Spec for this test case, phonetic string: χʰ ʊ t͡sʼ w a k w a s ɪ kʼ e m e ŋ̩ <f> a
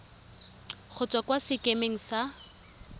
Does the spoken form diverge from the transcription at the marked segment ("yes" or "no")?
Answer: yes